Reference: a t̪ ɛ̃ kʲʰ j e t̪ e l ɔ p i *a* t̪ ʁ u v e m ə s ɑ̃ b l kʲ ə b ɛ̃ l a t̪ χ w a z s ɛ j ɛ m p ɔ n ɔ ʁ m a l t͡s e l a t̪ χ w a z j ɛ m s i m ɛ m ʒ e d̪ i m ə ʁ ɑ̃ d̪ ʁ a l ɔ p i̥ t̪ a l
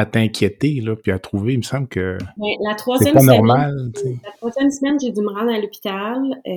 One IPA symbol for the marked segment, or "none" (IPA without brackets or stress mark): a